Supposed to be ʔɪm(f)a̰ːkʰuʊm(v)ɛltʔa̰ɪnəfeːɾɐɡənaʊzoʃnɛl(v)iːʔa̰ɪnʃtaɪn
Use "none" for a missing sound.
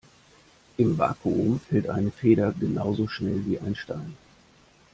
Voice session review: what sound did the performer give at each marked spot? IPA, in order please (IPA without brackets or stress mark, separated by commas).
v, f, v